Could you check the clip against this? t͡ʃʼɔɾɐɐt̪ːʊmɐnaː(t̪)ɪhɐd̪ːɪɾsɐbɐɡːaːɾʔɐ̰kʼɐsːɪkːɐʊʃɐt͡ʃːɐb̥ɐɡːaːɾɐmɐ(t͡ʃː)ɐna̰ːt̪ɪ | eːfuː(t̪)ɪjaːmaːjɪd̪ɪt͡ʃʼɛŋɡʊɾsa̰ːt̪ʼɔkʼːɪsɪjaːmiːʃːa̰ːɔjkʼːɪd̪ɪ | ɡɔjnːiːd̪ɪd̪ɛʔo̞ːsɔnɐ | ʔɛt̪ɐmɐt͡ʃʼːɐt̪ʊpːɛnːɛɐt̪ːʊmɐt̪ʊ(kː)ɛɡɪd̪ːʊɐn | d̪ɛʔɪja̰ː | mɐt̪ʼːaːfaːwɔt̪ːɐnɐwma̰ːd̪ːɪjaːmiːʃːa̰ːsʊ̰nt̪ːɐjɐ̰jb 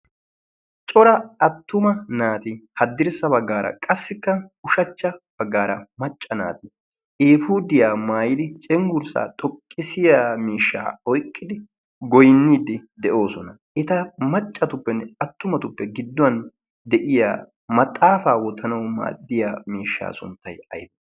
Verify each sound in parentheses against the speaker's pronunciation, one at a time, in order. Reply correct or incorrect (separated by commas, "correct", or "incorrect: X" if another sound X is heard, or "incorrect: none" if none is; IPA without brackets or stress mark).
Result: correct, incorrect: t͡ʃʼː, incorrect: d̪, incorrect: pː